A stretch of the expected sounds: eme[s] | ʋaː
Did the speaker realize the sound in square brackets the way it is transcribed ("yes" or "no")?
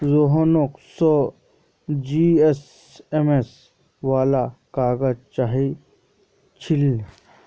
yes